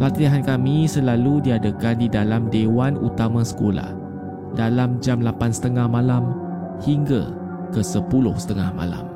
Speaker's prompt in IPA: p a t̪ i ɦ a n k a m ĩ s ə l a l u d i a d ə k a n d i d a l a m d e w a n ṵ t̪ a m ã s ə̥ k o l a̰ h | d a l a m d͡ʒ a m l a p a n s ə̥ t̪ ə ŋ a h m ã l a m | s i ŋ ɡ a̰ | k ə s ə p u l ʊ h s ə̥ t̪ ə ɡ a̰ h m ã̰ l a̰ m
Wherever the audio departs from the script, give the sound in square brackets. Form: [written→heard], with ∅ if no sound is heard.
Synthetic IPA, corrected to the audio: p a t̪ i ɦ a n k a m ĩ s ə l a l u d i a d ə k a n d i d a l a m d e w a n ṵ t̪ a m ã s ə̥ k o l a̰ h | d a l a m d͡ʒ a m l a p a n s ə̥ t̪ ə ŋ a h m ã l a m | [s→h] i ŋ ɡ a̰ | k ə s ə p u l ʊ h s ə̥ t̪ ə [ɡ→ŋ] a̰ h m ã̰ l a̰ m